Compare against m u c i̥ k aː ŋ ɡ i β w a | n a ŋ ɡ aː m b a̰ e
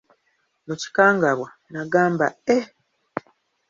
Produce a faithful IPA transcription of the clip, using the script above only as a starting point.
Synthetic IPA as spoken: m u c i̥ k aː ŋ ɡ a β w a | n a ɡ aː m b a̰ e